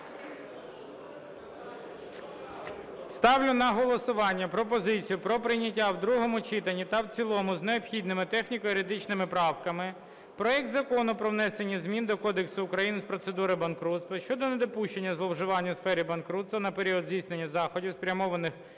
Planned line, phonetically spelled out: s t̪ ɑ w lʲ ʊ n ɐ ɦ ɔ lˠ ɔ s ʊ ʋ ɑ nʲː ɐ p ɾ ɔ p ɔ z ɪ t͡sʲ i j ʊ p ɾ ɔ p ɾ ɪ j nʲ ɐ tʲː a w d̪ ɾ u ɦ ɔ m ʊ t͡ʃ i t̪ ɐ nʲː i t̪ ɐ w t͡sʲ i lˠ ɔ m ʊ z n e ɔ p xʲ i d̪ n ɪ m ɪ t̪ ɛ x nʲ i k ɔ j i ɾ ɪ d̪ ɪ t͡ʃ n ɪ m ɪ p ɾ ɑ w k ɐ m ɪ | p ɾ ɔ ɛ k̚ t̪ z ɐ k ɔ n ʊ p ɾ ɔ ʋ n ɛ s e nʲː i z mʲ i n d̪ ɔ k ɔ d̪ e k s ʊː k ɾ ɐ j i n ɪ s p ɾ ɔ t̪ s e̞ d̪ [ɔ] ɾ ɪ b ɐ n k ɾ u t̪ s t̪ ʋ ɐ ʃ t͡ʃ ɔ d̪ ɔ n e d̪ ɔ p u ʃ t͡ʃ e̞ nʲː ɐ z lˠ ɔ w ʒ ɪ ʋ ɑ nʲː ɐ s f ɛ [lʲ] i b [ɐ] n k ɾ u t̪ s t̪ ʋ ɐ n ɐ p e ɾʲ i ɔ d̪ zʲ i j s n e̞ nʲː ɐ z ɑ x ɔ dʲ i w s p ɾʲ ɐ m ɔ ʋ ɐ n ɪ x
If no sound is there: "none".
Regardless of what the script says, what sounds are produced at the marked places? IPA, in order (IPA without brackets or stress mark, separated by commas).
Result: u, ɾʲ, ɐ